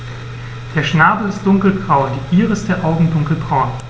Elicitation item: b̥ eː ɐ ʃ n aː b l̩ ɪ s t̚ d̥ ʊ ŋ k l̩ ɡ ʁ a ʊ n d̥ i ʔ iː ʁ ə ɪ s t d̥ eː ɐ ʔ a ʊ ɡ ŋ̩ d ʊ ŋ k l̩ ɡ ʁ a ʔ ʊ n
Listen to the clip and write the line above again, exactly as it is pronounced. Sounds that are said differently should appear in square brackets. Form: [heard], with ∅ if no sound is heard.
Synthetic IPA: [d̥] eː ɐ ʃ n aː b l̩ ɪ s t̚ d̥ ʊ ŋ k l̩ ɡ ʁ a ʊ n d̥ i ʔ iː ʁ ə ɪ s t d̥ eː ɐ ʔ a ʊ ɡ ŋ̩ d ʊ ŋ k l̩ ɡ ʁ a [∅] ʊ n